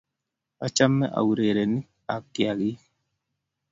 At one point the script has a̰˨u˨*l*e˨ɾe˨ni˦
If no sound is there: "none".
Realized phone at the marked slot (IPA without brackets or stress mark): ɾ